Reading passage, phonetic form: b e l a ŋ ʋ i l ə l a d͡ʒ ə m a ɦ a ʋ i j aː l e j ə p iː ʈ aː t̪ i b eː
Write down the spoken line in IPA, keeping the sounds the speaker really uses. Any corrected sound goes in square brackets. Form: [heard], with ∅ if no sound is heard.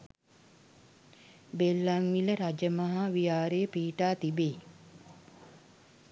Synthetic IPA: b e [lː] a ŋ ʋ i l ə [ɾ] a d͡ʒ ə m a ɦ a ʋ i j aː [ɾ] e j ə p iː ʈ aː t̪ i b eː